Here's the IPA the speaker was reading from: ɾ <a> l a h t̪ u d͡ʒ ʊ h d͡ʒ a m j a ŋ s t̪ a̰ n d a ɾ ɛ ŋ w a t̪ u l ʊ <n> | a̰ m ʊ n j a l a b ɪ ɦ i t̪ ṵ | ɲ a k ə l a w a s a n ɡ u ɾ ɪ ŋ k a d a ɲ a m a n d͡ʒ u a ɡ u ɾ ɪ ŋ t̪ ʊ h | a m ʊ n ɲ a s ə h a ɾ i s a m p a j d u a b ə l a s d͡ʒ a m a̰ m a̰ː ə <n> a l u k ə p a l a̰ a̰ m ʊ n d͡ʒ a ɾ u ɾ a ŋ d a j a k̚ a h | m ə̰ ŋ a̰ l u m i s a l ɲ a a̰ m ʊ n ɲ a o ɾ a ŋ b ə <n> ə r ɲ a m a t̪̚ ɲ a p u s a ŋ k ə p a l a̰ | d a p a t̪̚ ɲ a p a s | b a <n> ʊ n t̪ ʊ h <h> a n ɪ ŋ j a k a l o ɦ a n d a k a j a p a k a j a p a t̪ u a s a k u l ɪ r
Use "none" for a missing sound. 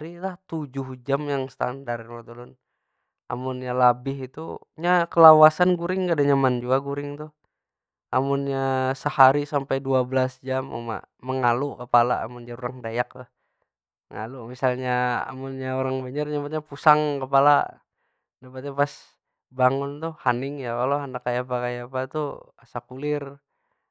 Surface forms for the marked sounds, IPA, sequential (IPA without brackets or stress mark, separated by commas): i, n, ŋ, ɲ, ŋ, h